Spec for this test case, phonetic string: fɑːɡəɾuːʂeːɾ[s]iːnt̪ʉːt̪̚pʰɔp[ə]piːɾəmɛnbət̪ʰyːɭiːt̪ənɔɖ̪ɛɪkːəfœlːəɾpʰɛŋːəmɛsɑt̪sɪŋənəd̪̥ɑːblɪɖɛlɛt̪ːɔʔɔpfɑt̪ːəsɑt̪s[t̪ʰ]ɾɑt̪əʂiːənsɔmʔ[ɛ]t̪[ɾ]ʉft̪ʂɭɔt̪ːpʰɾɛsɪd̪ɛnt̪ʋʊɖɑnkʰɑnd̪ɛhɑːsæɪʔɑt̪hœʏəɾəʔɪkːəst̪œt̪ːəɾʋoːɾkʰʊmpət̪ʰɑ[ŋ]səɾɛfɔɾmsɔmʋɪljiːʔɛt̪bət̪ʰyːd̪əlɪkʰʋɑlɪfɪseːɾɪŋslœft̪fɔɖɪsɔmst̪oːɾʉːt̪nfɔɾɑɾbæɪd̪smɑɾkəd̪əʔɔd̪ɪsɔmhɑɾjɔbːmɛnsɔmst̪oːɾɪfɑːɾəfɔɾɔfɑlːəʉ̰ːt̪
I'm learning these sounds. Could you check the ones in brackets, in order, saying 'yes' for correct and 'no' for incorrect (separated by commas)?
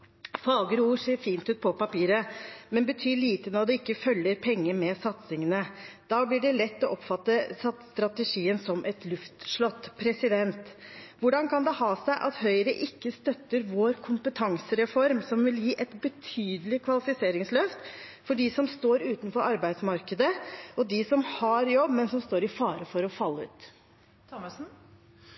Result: no, no, no, yes, no, yes